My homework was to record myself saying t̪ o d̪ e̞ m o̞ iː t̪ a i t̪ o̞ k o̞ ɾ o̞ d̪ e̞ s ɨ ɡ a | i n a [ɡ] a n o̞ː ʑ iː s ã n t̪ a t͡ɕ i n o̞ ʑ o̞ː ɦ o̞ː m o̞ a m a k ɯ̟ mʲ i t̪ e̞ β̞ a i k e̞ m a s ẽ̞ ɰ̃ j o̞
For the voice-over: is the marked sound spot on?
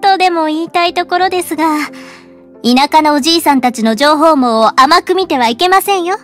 no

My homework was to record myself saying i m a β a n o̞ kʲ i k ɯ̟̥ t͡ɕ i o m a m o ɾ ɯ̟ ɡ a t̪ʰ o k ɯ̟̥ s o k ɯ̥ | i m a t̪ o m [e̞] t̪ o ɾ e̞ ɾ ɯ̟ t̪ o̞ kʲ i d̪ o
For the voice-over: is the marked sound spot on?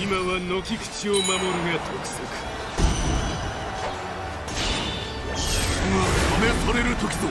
yes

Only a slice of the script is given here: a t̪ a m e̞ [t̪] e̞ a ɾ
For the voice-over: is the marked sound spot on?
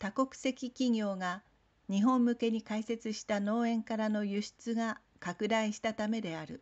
no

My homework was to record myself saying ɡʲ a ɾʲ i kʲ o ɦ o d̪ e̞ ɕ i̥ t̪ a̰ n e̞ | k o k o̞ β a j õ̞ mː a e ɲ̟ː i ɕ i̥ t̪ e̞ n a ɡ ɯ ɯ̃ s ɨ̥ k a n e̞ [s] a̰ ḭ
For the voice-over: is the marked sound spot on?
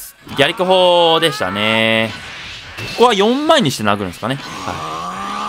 no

